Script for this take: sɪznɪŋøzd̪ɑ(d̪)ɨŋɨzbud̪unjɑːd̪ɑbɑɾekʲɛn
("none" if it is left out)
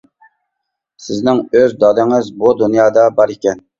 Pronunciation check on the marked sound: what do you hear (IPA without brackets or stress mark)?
d̪